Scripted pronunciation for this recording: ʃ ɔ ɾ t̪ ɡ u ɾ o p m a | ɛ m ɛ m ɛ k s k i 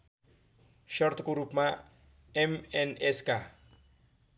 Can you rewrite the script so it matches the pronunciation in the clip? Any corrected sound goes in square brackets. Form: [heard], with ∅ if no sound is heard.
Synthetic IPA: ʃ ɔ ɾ t̪ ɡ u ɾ [u] p m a | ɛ m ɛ [n] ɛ [∅] s k [a]